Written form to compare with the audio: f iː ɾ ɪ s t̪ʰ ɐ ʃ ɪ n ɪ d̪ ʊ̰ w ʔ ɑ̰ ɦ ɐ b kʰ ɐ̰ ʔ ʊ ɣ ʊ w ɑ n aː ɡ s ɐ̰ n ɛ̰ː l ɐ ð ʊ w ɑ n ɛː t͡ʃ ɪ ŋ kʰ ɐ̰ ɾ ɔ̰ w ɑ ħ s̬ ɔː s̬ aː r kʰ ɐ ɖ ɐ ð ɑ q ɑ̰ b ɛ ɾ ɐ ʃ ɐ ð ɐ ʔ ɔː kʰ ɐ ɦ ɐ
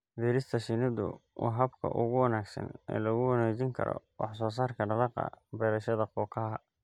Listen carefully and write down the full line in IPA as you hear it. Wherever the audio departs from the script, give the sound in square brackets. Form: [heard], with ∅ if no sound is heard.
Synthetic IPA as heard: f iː ɾ ɪ s t̪ʰ ɐ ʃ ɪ n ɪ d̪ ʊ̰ w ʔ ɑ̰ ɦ ɐ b kʰ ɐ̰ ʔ ʊ ɣ ʊ w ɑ n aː ɡ s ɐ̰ n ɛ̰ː l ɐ [ɣ] ʊ w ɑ n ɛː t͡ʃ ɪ ŋ kʰ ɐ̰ ɾ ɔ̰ w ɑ ħ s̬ ɔː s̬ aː r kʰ ɐ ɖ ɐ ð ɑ q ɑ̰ b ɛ ɾ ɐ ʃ ɐ ð ɐ [q] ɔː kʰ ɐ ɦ ɐ